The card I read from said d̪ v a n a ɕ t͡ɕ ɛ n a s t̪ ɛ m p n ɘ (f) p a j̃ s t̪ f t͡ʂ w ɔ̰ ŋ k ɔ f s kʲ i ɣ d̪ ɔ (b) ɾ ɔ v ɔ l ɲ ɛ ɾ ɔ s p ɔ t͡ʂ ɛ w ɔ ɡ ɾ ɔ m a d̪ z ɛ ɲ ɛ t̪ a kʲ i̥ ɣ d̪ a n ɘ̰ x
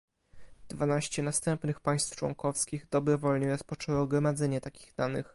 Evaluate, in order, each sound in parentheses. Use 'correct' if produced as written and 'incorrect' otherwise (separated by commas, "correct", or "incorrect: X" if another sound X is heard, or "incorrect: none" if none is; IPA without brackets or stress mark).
incorrect: x, correct